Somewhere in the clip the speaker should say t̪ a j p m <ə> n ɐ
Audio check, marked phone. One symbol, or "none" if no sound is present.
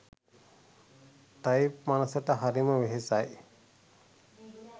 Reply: a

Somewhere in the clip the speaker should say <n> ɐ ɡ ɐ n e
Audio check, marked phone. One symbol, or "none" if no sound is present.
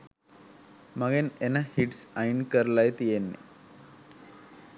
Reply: m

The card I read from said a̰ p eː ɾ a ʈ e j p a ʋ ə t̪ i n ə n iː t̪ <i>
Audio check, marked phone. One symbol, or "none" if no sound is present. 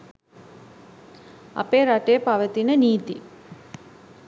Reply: i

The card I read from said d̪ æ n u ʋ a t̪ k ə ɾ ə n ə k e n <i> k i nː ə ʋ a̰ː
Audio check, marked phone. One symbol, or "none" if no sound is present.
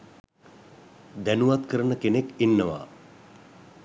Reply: e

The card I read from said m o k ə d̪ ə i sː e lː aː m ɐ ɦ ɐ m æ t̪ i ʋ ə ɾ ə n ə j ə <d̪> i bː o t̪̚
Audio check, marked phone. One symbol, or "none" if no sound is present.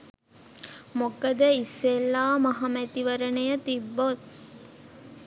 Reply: t̪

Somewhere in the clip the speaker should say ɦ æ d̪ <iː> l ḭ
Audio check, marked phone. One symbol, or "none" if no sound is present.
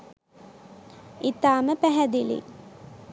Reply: i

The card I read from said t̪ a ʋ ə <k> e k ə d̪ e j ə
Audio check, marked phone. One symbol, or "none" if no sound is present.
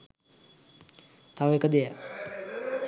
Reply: none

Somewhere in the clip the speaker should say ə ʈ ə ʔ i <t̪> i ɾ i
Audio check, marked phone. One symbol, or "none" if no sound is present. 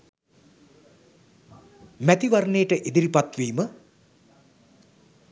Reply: d̪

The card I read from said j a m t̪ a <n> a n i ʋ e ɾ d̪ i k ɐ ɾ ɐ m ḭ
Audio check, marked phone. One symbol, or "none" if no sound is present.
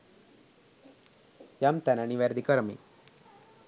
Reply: n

